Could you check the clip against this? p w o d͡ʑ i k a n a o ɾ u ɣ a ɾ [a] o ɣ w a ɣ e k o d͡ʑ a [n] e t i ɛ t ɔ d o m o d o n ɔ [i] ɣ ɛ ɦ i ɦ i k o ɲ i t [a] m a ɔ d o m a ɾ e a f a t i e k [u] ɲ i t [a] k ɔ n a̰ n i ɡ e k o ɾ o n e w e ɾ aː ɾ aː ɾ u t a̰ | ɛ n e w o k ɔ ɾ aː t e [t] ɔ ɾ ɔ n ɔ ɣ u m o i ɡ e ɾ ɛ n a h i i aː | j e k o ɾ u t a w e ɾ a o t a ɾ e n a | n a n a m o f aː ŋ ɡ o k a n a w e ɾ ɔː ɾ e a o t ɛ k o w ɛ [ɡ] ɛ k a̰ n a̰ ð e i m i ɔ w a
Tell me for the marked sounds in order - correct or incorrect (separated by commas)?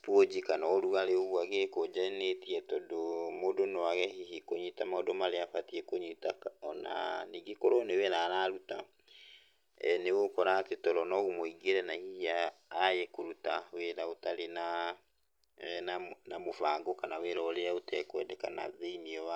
incorrect, correct, incorrect, correct, incorrect, correct, correct, incorrect